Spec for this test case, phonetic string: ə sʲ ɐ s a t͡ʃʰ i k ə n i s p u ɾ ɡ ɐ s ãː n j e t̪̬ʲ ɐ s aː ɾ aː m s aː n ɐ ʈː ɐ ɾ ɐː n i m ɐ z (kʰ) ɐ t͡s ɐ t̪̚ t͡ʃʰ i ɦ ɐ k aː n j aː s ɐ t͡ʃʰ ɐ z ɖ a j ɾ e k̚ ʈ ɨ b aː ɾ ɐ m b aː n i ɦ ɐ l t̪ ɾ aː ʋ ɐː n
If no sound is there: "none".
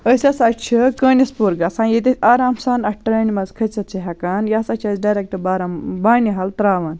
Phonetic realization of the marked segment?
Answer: kʰ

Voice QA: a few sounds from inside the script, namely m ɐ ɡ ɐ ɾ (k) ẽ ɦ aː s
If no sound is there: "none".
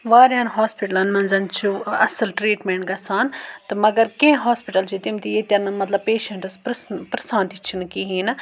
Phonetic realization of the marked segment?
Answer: k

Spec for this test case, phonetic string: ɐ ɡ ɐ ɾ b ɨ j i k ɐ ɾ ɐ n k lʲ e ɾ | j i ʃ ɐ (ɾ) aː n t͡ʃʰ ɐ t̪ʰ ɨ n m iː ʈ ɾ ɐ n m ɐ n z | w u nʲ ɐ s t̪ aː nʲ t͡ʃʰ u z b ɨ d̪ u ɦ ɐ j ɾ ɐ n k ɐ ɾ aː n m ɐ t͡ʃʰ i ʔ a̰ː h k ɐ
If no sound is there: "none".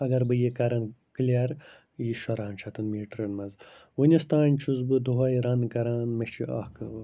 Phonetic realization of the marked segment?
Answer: ɾ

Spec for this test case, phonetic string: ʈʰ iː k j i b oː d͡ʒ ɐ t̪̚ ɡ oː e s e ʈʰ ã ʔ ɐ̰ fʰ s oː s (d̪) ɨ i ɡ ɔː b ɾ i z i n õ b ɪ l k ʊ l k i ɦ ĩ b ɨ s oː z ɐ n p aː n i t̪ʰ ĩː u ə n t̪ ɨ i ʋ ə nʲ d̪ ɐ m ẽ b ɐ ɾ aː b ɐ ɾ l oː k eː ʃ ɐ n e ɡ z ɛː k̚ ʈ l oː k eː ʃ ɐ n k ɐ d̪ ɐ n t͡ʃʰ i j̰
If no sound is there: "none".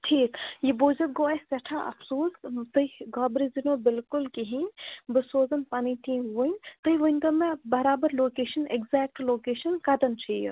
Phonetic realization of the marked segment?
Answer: t̪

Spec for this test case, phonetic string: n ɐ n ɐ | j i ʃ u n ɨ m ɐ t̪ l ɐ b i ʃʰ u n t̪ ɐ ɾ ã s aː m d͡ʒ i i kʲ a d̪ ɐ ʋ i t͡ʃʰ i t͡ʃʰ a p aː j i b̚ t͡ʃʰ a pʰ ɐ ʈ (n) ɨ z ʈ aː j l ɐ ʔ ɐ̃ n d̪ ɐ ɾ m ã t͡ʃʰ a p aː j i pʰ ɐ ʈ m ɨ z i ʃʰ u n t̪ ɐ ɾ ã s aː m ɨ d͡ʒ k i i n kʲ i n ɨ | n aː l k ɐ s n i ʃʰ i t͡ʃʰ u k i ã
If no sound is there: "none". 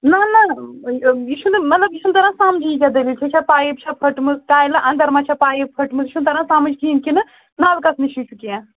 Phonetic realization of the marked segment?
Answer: m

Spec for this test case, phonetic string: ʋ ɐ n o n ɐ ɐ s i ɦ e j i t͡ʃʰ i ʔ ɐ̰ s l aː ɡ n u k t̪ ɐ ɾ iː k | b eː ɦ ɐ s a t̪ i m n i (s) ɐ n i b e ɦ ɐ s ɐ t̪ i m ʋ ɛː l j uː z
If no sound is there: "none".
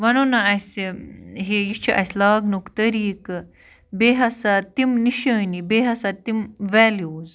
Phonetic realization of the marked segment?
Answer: ʃ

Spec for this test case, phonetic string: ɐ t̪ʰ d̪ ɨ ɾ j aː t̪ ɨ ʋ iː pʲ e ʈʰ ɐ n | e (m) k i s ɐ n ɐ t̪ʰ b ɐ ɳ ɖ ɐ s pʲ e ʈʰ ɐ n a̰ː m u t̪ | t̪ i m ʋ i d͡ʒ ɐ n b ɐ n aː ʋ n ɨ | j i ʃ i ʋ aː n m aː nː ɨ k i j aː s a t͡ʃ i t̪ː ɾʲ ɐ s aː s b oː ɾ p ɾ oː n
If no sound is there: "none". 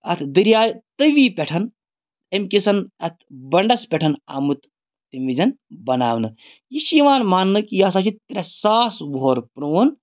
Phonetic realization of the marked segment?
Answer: m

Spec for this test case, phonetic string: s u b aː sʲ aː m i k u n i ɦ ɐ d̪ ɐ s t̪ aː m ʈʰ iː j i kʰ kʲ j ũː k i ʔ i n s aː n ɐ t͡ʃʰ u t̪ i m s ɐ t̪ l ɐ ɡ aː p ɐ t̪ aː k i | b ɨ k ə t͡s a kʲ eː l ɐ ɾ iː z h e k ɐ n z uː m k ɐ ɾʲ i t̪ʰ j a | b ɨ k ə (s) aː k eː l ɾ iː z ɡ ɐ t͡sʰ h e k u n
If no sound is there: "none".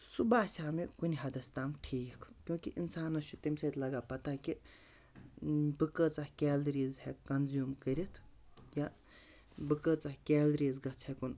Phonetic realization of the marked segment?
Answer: t͡s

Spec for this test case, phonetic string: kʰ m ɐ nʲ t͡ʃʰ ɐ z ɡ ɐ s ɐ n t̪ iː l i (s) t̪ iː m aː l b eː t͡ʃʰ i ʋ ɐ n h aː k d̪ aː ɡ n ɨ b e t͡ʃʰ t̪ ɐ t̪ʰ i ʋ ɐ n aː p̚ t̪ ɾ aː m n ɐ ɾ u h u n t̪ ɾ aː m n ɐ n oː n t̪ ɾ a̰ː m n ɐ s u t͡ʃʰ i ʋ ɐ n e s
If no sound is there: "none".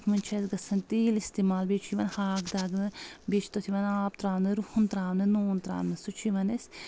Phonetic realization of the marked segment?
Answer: s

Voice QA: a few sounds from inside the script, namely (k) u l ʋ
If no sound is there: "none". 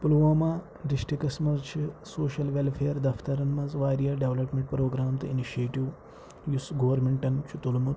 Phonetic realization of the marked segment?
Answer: p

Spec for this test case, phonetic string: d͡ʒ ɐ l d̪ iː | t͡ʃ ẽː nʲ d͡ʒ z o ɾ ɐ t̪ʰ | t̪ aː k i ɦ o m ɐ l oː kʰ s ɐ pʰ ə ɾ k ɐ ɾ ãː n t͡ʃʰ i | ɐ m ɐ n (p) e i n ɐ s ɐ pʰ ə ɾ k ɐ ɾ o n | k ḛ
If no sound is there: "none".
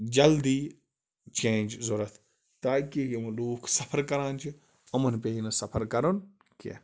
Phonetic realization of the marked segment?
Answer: p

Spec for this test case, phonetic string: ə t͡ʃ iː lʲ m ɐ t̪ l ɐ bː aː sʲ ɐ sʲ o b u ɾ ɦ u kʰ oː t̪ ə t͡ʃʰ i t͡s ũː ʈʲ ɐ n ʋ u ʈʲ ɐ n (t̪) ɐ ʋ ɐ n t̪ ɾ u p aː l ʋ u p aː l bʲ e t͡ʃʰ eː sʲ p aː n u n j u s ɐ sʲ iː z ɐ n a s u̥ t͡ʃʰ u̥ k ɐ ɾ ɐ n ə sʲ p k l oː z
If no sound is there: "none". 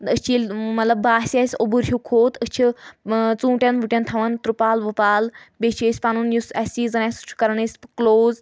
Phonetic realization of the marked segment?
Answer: t̪ʰ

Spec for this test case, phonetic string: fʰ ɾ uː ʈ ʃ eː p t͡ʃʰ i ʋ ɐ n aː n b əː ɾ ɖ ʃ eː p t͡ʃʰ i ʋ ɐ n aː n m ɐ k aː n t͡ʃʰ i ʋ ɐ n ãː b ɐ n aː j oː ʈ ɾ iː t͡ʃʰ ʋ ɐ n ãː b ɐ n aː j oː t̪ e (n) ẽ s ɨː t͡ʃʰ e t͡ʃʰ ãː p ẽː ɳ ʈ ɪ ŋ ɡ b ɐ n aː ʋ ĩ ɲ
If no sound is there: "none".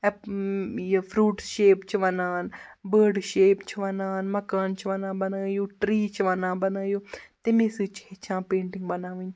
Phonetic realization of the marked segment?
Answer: m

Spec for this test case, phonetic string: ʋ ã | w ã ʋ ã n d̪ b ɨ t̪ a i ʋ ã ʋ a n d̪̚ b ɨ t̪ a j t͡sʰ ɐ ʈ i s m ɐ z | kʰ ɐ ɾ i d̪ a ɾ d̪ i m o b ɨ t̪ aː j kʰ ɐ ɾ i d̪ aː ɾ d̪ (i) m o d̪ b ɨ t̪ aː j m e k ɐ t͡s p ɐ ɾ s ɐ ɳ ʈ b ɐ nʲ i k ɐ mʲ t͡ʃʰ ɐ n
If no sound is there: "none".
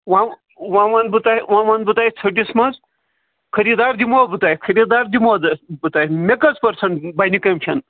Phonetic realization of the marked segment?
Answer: i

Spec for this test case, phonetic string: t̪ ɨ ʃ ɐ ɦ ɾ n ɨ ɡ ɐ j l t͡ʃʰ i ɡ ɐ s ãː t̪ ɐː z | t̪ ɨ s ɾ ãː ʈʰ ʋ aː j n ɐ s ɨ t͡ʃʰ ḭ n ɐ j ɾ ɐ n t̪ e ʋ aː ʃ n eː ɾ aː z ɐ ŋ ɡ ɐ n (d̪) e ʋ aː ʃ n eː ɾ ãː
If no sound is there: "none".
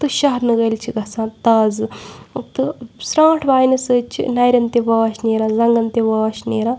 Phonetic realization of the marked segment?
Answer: t̪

